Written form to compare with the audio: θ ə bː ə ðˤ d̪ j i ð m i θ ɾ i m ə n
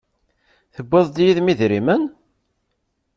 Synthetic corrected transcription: θ ə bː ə ðˤ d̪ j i ð m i ð ɾ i m ə n